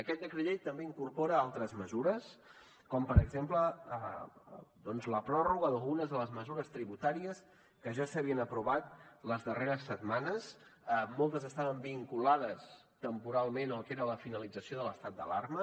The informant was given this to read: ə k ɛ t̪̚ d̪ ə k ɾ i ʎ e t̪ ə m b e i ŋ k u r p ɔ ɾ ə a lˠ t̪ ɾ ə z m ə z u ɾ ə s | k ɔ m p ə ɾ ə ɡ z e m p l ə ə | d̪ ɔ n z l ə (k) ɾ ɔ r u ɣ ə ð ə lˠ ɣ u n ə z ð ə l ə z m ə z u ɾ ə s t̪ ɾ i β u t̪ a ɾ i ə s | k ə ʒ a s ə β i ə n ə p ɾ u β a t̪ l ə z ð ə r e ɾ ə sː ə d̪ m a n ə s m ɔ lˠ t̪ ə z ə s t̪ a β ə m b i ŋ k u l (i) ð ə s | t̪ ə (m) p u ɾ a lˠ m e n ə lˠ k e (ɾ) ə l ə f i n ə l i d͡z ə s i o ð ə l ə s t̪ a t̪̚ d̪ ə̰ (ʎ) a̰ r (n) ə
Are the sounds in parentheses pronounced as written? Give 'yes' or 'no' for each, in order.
no, no, yes, yes, no, no

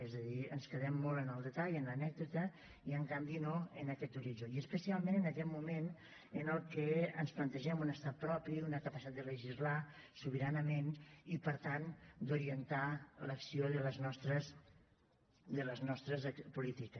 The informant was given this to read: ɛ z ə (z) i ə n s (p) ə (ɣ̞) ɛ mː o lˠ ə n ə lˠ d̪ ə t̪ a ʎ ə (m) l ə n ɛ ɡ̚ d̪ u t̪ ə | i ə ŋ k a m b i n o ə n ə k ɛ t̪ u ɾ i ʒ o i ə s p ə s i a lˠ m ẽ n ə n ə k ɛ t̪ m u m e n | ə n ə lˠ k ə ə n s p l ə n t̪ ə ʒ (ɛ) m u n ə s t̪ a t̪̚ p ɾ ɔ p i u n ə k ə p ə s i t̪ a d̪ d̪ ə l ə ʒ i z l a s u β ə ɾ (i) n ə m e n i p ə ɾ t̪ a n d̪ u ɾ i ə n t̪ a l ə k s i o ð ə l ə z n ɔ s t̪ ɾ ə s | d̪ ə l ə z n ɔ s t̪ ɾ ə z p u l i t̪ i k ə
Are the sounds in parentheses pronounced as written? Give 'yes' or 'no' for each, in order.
no, no, no, no, yes, no

